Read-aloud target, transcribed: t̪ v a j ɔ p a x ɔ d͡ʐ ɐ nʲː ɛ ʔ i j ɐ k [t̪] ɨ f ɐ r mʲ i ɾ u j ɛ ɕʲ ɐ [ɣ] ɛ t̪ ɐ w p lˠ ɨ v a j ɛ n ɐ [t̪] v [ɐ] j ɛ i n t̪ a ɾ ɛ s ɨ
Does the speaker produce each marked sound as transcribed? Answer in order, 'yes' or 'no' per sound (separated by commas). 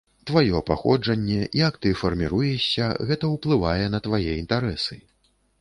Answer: yes, yes, yes, no